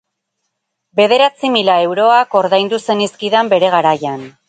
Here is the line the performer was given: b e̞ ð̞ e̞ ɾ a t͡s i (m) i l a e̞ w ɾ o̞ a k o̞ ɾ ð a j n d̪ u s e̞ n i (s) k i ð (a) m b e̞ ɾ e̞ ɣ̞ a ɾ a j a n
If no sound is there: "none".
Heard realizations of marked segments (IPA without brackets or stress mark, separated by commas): m, s, a